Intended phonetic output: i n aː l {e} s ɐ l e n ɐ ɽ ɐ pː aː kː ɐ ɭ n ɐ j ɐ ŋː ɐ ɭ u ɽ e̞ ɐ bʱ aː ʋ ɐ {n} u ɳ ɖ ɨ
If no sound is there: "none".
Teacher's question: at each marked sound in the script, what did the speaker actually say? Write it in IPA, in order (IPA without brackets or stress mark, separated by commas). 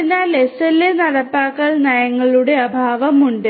e, m